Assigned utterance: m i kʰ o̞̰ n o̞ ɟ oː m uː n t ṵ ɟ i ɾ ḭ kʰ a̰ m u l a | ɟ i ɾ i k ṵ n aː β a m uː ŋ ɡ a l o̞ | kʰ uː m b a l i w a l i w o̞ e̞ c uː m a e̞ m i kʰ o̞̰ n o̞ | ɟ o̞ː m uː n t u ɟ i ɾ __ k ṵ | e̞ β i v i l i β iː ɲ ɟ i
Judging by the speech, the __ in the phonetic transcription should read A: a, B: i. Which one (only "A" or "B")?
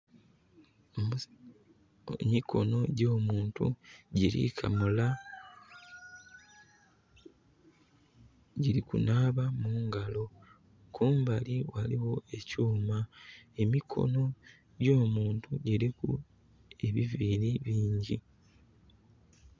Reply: B